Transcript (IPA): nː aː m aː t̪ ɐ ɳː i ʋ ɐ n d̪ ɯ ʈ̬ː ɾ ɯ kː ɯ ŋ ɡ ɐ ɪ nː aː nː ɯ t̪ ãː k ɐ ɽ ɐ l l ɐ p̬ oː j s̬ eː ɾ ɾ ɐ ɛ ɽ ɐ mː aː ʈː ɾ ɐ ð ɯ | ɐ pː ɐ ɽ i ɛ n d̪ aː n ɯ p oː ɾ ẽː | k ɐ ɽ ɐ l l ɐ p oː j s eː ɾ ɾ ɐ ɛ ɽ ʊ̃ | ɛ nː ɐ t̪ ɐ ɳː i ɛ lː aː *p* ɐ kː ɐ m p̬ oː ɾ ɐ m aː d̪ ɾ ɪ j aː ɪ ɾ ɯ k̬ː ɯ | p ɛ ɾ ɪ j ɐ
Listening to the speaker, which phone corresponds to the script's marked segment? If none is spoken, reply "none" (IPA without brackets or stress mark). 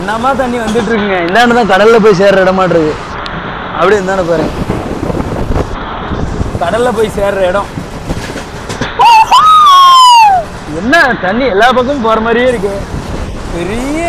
p